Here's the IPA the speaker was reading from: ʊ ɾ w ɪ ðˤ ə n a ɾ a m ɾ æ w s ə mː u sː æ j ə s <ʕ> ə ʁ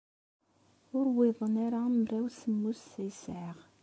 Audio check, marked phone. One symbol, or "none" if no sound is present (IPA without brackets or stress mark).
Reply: ʕ